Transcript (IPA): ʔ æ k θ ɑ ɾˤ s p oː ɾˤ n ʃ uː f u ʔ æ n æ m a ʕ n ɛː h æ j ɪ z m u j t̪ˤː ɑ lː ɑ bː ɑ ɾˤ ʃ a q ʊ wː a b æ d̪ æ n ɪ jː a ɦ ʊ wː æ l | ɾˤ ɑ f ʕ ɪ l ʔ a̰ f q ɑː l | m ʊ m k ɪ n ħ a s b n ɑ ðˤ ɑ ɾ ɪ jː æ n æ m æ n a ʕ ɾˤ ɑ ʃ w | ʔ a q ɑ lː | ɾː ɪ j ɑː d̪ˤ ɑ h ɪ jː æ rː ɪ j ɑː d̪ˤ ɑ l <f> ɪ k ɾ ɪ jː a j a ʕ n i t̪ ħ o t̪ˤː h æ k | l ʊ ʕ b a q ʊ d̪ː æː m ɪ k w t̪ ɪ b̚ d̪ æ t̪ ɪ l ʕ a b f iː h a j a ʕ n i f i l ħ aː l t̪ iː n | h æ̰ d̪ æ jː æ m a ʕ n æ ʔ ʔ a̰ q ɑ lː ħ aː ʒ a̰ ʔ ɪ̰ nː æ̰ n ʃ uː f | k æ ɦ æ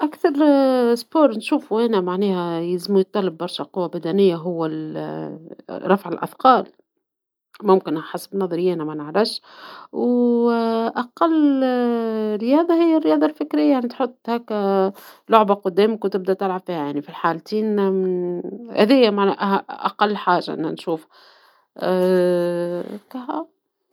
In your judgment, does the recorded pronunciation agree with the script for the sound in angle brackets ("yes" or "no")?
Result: yes